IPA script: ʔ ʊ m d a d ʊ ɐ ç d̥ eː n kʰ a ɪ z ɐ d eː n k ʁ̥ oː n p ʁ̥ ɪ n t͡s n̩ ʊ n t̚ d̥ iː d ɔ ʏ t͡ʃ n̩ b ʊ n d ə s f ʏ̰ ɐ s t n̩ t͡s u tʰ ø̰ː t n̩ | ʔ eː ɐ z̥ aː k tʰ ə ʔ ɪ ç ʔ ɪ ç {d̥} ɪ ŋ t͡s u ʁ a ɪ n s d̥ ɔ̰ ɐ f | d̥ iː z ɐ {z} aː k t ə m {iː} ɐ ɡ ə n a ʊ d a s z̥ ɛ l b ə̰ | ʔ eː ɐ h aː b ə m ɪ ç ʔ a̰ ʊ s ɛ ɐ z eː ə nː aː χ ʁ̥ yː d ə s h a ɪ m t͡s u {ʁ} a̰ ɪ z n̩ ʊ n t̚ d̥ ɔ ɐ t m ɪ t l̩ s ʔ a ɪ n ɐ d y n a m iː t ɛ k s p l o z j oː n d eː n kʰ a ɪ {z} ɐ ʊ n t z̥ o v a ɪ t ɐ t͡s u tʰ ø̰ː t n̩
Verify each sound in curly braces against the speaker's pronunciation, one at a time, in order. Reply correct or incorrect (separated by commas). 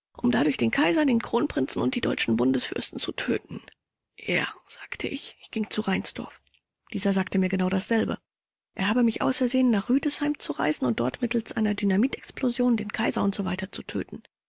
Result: incorrect, correct, correct, correct, correct